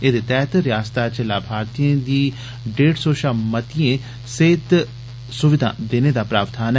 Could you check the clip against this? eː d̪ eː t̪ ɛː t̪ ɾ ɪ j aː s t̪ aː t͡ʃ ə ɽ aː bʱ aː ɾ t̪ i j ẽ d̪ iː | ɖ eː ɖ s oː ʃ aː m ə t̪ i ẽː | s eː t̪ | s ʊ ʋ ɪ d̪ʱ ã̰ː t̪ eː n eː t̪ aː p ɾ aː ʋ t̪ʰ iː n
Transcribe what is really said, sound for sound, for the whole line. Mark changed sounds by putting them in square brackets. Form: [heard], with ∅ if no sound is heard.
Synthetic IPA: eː d̪ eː t̪ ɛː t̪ ɾ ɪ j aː s t̪ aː t͡ʃ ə [l] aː bʱ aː ɾ t̪ i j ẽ d̪ iː | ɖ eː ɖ s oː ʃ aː m ə t̪ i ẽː | s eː t̪ | s ʊ ʋ ɪ d̪ʱ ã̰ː [d̪] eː n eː [d̪] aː p ɾ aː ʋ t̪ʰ [aː] n